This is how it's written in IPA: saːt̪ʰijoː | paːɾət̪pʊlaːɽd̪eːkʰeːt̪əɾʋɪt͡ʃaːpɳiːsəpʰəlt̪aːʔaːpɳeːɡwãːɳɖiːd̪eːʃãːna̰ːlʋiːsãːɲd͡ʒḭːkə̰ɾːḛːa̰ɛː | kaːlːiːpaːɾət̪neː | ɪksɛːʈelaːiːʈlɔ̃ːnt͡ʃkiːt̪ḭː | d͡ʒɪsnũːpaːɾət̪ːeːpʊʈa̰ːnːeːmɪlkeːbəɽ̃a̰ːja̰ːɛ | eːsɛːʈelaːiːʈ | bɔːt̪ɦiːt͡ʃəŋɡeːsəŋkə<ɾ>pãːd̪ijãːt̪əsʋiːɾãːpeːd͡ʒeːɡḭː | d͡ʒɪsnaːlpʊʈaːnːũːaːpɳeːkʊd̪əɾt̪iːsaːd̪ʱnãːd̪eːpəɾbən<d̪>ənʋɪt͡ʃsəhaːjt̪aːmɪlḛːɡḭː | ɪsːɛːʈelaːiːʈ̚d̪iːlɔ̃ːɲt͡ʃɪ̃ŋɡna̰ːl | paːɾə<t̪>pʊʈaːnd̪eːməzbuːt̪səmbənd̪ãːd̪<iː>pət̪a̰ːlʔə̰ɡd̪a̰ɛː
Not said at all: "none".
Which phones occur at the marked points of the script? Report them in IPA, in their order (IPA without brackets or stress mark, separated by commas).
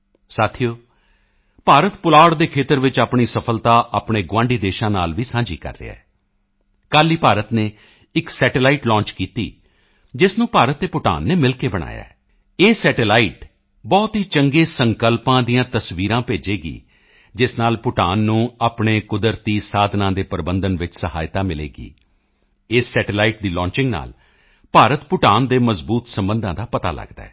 l, d̪, t̪, aː